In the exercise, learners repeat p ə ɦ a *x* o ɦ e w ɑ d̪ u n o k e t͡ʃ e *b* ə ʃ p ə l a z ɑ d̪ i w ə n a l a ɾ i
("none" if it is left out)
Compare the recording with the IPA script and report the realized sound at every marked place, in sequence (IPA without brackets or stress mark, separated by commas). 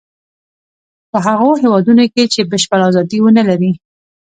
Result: ɣ, b